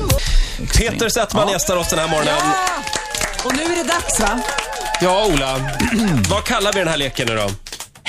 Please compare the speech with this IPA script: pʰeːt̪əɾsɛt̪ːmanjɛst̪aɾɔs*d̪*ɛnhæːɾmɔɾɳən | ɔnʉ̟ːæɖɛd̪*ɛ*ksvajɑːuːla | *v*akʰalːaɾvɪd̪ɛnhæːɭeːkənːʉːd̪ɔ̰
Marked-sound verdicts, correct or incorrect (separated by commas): correct, incorrect, correct